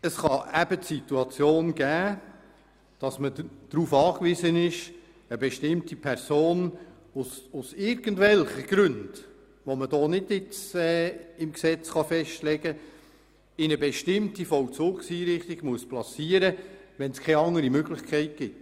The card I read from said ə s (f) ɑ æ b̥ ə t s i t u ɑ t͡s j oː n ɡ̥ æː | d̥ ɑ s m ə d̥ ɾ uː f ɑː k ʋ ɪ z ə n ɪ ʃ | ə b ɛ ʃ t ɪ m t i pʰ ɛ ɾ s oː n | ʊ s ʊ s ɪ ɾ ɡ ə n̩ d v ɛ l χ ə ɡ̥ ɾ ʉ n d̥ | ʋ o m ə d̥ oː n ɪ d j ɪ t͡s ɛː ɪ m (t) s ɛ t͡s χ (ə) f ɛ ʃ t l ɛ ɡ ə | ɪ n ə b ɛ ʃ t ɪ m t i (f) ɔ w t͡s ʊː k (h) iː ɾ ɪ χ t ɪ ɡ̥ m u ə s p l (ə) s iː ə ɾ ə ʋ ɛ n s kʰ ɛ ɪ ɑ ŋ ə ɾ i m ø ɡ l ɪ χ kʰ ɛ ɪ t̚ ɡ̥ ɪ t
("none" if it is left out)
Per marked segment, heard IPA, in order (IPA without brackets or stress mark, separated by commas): χ, k, ɑ, f, s, ɑ